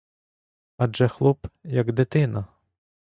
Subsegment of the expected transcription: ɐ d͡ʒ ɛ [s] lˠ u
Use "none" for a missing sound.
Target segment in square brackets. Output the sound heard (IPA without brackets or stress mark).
x